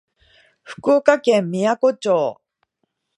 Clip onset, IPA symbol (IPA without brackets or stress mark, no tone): ɸ